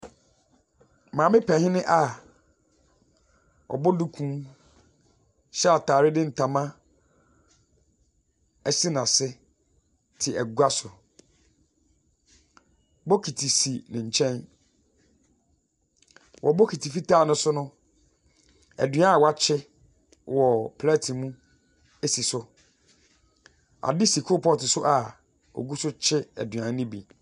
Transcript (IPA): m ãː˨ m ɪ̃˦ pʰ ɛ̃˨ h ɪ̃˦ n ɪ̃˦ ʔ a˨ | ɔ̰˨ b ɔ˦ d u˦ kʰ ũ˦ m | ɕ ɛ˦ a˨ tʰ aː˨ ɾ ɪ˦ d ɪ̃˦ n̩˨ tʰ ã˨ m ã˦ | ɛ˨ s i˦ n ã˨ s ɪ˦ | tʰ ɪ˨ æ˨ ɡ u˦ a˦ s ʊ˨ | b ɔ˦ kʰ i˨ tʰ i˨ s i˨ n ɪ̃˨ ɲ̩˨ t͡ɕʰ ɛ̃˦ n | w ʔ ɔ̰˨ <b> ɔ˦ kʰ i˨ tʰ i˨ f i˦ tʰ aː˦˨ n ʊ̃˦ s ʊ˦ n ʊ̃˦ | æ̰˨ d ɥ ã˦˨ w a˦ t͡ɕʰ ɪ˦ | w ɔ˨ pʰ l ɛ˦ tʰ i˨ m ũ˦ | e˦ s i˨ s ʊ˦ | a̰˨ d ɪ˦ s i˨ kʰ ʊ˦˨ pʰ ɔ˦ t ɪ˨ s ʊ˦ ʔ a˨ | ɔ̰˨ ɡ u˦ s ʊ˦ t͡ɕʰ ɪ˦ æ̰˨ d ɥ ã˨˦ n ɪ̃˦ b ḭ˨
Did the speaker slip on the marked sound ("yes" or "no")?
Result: no